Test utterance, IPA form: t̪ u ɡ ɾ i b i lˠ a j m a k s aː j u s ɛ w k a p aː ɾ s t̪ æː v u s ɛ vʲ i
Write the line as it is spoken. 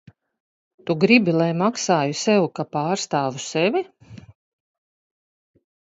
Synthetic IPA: t̪ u ɡ ɾ i b i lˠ a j m a k s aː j u s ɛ w k a p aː ɾ s t̪ aː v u s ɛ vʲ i